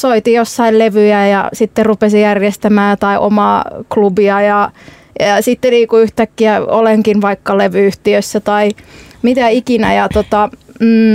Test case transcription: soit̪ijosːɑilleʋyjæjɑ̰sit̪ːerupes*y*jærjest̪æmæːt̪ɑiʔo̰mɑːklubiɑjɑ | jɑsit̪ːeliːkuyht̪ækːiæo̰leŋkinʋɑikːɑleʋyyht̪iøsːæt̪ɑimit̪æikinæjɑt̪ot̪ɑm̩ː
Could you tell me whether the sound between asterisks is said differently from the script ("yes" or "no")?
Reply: yes